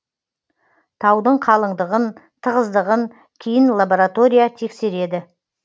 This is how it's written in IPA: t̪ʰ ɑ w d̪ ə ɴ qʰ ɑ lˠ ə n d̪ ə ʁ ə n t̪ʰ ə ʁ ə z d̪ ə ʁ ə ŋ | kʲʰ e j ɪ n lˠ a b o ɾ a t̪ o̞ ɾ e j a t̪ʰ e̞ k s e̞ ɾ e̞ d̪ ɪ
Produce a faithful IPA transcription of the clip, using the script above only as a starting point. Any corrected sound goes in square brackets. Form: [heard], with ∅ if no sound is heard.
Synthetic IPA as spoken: t̪ʰ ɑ w d̪ ə ɴ qʰ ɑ lˠ ə [ɴ] d̪ ə ʁ ə n t̪ʰ ə ʁ ə z d̪ ə ʁ ə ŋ | kʲʰ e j ɪ n lˠ a b o ɾ a t̪ o̞ ɾ [i] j a t̪ʰ e̞ k s e̞ ɾ e̞ d̪ ɪ